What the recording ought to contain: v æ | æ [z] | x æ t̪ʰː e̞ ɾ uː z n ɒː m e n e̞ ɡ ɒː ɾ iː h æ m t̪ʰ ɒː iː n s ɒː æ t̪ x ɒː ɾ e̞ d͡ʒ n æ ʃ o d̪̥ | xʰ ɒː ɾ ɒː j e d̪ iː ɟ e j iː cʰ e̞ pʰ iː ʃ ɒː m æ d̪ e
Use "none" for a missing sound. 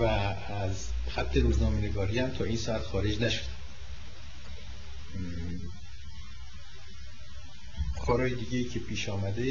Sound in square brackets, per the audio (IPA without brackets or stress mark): z